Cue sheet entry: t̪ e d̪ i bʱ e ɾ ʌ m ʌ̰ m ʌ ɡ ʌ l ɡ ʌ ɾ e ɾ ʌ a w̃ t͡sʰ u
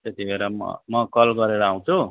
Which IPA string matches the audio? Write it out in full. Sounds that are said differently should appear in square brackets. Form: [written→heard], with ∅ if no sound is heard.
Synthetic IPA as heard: t̪ e [d̪→t̪] i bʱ e ɾ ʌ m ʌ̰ m ʌ [ɡ→k] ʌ l ɡ ʌ ɾ e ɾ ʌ a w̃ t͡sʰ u